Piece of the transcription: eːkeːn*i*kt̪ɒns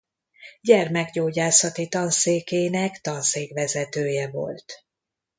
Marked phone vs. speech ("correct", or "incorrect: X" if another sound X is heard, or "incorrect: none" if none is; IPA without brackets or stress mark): incorrect: ɛ